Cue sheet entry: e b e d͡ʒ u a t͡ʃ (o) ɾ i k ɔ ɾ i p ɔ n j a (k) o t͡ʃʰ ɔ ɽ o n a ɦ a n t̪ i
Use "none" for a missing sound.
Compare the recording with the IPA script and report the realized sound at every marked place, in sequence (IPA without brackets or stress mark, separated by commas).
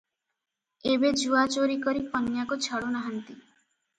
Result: o, k